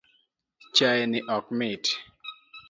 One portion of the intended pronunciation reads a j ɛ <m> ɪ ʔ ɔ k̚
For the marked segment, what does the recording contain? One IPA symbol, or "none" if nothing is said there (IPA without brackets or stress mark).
n